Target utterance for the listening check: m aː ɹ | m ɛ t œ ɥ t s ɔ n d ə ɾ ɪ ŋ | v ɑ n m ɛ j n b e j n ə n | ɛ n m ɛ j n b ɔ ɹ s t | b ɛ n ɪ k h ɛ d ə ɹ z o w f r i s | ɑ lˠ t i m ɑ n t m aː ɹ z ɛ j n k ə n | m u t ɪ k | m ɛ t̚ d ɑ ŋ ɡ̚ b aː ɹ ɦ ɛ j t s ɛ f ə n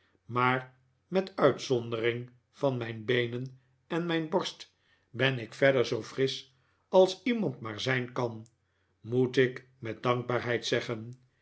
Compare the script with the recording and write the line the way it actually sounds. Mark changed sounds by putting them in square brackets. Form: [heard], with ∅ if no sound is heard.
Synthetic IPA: m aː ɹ | m ɛ t œ ɥ t s ɔ n d ə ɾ ɪ ŋ | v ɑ n m ɛ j n b e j n ə n | ɛ n m ɛ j n b ɔ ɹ s t | b ɛ n ɪ k [f] ɛ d ə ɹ z o w f r [ɪ] s | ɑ lˠ [s] i m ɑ n t m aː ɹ z ɛ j n k [ɑ] n | m u t ɪ k | m ɛ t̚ d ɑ ŋ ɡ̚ b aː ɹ ɦ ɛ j t s ɛ [χ] ə n